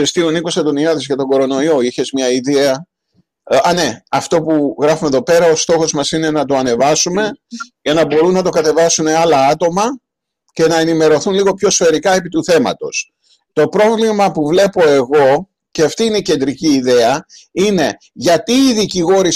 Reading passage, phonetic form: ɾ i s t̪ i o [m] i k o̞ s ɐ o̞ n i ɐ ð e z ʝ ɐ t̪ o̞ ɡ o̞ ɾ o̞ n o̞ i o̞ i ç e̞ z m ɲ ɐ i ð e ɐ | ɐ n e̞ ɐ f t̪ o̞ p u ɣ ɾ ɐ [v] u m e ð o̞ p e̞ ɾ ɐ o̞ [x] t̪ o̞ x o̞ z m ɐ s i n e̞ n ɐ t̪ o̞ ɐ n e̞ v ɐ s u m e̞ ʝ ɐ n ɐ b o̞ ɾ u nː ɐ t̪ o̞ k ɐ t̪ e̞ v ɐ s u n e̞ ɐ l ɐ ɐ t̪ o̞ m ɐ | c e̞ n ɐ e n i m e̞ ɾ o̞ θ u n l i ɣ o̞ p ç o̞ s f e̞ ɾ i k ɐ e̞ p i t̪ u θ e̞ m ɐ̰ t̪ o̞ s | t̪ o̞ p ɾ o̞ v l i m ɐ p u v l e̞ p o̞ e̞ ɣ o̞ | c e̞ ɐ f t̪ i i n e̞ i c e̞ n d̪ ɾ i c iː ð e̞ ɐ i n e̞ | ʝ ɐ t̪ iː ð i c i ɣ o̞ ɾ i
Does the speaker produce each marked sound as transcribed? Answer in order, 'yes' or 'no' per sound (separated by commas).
no, no, no